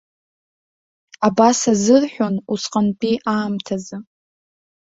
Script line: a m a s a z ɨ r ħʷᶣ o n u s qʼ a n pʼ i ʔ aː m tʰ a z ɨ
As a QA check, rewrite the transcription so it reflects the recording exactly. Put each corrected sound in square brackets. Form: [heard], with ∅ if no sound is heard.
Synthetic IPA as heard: a [b] a s a z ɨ r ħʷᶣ o n u s qʼ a n pʼ i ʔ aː m tʰ a z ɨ